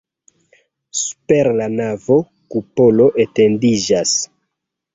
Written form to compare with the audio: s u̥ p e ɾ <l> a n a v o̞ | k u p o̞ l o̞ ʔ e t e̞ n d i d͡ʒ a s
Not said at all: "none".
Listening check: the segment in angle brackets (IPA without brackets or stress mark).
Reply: l